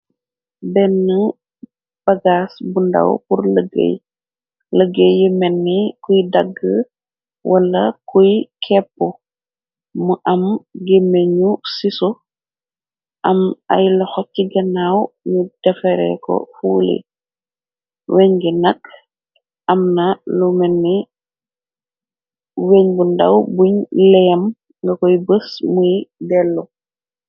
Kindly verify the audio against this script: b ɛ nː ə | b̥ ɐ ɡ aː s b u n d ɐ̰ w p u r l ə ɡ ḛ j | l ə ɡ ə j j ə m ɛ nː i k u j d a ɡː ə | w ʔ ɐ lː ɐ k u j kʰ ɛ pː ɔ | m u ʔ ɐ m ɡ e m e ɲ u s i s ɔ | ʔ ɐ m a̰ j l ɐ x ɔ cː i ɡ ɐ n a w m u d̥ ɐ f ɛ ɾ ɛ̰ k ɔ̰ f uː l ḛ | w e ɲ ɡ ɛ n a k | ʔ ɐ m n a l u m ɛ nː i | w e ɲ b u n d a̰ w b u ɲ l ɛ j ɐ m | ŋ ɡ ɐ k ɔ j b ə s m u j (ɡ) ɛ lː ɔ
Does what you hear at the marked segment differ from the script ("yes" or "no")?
yes